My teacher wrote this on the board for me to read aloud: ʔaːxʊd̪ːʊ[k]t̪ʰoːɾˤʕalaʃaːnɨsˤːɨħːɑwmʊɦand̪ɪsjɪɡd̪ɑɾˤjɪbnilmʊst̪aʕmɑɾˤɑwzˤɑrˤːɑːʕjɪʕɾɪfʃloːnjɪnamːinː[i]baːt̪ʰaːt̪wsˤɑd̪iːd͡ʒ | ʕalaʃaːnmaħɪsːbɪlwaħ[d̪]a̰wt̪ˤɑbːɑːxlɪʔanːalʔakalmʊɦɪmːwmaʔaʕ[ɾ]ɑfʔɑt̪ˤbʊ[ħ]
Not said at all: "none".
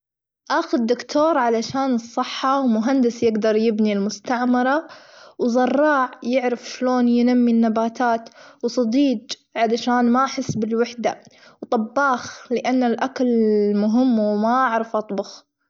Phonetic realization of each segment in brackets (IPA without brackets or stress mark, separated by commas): k, a, d̪, ɾ, x